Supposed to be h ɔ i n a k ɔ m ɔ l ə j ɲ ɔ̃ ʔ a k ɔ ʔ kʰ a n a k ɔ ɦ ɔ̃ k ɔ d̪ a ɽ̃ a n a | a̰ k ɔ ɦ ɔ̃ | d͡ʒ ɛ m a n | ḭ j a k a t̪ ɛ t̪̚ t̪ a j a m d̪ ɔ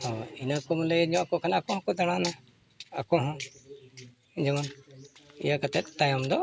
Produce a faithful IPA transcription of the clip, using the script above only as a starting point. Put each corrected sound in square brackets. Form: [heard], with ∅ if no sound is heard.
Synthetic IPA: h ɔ i n a k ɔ m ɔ l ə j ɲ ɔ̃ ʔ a k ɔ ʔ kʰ a n a k ɔ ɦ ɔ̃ k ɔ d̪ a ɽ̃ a n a | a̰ k ɔ ɦ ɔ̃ | d͡ʒ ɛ m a n | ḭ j a k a t̪ ɛ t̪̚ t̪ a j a m d̪ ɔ